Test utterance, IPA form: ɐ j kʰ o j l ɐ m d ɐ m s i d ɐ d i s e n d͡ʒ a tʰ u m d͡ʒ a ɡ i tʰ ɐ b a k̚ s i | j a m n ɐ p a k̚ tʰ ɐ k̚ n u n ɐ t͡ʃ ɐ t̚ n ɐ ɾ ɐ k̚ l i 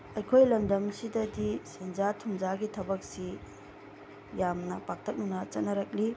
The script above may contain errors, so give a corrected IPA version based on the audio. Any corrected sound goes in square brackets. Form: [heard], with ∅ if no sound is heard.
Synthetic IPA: ɐ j kʰ o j l ɐ m d ɐ m s i d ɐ d i s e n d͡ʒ a tʰ u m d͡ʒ a ɡ i tʰ ɐ b [ɐ] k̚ s i | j a m n ɐ p a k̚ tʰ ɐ k̚ n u n ɐ t͡ʃ ɐ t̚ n ɐ ɾ ɐ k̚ l i